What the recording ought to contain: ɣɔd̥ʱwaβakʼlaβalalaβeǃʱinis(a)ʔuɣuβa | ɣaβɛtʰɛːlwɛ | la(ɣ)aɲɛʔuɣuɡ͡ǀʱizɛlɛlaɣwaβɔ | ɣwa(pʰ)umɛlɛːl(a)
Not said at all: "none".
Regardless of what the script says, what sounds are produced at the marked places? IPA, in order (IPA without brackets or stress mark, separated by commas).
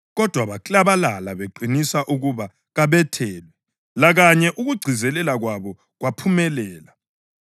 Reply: a, ɣ, pʰ, a